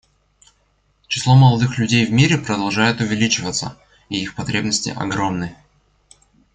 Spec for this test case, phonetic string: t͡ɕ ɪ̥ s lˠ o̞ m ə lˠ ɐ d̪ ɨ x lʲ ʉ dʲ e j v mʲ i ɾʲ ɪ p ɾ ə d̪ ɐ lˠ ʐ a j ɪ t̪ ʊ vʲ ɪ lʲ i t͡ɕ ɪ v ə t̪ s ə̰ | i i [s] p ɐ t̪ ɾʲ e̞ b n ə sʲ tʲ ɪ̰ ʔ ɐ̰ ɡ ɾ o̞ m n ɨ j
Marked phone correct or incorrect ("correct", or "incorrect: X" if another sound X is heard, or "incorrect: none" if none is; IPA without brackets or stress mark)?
incorrect: x